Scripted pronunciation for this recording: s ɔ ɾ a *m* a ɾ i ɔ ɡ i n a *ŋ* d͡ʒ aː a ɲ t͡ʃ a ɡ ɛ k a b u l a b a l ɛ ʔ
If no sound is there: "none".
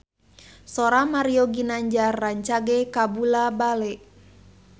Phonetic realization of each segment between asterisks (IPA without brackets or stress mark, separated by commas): m, ɲ